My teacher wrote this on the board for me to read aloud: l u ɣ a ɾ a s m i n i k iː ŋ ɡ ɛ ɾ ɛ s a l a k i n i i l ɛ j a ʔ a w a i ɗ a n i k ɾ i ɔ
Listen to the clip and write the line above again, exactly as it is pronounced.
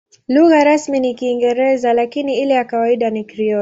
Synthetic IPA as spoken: l u ɣ a ɾ a s m i n i k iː ŋ ɡ ɛ ɾ ɛ z a l a k i n i i l ɛ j a k a w a i ɗ a n i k ɾ i ɔ